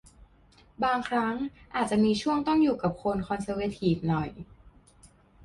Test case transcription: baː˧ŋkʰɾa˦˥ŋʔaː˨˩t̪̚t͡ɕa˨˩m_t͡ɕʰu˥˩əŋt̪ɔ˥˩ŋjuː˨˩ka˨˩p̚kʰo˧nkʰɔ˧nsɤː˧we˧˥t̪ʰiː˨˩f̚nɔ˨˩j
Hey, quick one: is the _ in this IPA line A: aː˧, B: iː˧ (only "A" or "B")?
B